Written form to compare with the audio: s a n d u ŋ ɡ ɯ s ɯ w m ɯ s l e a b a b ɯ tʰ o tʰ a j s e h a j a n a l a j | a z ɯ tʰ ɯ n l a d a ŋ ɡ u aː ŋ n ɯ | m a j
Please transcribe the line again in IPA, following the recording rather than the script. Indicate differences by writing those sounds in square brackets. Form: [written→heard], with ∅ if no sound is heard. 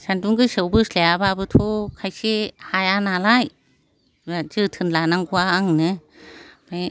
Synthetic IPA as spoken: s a n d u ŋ ɡ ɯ s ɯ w [m→b] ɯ s l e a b a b ɯ tʰ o [tʰ→kʰ] a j s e h a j a n a l a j | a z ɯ tʰ ɯ n l a [d→n] a ŋ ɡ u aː ŋ n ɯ | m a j